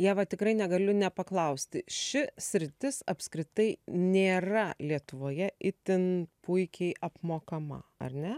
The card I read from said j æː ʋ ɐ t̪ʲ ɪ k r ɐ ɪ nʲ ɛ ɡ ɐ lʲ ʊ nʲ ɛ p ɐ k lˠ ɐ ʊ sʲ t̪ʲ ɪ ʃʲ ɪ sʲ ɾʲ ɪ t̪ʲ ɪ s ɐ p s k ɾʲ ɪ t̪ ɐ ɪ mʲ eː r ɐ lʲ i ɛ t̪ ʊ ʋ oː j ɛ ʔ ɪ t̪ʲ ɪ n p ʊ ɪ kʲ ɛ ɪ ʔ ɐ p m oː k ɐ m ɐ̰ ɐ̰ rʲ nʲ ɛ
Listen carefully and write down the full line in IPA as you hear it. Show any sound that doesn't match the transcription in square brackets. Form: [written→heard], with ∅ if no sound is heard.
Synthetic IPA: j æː ʋ ɐ t̪ʲ ɪ k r ɐ ɪ nʲ ɛ ɡ ɐ lʲ ʊ nʲ ɛ p ɐ k lˠ ɐ ʊ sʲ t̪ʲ ɪ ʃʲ ɪ sʲ ɾʲ ɪ t̪ʲ ɪ s ɐ p s k ɾʲ ɪ t̪ ɐ ɪ [mʲ→nʲ] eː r ɐ lʲ i ɛ t̪ ʊ ʋ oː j ɛ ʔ ɪ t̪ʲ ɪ n p ʊ ɪ kʲ ɛ ɪ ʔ ɐ p m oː k ɐ m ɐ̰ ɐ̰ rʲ nʲ ɛ